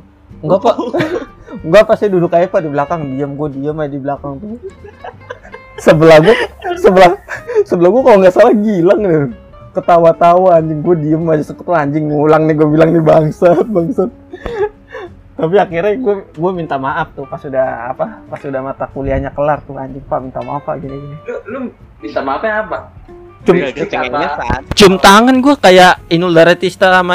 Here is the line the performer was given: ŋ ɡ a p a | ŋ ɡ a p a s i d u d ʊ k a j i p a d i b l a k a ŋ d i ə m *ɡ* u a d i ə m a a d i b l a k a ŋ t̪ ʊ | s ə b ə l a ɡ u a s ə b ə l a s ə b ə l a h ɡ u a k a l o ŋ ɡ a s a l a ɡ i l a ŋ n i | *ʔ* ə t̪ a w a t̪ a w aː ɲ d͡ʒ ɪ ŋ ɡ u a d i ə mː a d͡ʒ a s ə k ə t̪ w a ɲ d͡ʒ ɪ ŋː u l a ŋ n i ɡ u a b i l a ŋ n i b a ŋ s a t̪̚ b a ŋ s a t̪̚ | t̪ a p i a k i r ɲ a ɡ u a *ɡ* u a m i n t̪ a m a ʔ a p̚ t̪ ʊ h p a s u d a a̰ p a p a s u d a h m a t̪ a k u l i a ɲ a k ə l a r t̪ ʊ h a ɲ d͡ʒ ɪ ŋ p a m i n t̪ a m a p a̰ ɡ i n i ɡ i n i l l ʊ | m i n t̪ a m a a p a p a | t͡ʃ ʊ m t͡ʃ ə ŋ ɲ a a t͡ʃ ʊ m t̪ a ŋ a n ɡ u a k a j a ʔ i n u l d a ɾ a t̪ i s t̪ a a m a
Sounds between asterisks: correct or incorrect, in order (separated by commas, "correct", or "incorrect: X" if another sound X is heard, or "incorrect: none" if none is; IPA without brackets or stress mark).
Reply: correct, incorrect: k, correct